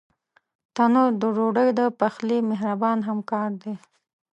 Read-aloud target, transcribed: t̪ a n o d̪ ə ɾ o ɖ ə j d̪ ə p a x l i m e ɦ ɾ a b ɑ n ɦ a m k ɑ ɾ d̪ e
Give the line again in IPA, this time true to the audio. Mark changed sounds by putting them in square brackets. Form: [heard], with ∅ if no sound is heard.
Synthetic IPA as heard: t̪ a n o d̪ ə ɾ o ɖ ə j d̪ ə p a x l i m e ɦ ɾ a b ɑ n ɦ a m k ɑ ɾ d̪ e